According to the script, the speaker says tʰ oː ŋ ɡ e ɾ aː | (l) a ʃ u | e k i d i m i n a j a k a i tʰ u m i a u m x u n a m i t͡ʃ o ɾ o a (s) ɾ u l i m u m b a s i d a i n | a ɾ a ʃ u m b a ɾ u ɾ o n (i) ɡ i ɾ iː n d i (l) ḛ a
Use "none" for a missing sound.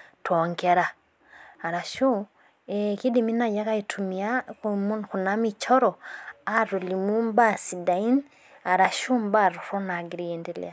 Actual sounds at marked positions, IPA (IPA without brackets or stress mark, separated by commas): ɾ, none, a, l